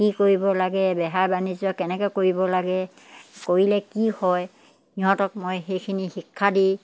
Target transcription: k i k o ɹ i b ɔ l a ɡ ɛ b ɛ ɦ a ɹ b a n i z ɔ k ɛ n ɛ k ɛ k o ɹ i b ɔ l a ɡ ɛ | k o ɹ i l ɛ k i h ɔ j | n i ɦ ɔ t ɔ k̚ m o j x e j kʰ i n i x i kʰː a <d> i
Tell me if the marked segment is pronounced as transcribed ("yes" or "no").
yes